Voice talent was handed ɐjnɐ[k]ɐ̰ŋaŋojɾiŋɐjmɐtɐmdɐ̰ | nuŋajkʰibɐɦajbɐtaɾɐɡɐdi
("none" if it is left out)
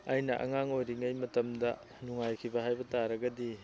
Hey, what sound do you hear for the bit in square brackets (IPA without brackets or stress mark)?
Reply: ʔ